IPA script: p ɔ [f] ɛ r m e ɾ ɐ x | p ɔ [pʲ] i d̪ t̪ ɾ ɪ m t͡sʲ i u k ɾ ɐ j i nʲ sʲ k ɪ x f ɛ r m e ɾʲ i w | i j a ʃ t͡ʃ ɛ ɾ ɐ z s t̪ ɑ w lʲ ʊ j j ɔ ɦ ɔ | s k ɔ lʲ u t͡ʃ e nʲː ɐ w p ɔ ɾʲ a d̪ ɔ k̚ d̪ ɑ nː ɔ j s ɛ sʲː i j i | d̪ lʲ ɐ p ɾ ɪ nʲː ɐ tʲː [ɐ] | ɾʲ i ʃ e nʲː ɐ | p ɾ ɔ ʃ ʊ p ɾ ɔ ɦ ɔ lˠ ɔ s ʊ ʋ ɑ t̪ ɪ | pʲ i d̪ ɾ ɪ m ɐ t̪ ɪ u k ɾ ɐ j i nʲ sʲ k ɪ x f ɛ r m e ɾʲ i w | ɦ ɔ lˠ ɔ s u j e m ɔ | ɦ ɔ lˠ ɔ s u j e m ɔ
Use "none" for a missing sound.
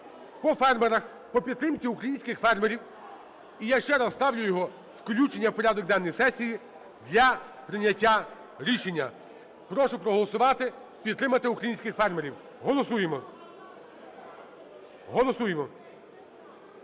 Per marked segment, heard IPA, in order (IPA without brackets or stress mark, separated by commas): f, pʲ, a